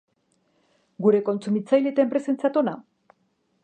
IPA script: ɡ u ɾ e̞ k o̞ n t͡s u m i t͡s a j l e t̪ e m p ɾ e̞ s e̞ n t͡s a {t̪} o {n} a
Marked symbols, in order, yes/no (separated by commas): yes, yes